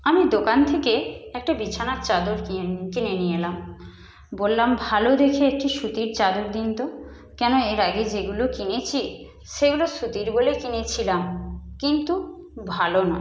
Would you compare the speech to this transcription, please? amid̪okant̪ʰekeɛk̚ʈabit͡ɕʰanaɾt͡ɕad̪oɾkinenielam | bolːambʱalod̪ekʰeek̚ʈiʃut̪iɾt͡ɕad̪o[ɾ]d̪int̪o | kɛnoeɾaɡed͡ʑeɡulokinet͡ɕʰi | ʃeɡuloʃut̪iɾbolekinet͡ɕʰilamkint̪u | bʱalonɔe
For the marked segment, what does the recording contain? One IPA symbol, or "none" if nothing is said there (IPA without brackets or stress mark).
ɾ